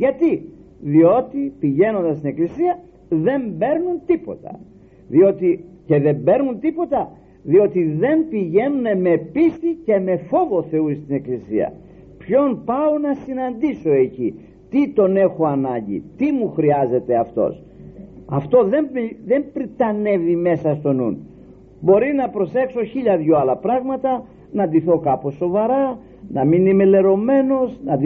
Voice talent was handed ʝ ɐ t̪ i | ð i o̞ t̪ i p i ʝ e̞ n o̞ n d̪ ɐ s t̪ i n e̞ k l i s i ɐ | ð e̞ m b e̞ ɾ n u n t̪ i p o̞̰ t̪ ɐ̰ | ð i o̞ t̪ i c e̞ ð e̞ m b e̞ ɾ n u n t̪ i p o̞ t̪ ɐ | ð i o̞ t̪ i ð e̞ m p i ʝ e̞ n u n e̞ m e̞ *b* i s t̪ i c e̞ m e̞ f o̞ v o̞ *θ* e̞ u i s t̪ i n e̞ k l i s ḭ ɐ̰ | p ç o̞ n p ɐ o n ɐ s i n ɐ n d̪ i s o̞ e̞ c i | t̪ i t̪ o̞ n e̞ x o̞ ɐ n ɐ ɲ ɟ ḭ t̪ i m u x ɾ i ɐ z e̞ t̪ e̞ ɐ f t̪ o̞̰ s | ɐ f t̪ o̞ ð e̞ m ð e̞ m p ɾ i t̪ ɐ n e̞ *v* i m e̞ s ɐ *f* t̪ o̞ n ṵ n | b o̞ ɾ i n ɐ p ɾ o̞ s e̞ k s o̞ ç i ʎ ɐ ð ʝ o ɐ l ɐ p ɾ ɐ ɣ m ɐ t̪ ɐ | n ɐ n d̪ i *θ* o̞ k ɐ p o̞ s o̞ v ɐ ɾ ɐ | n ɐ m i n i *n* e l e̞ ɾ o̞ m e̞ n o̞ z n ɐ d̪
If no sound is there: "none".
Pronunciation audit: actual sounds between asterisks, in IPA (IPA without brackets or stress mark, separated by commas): p, θ, v, s, θ, m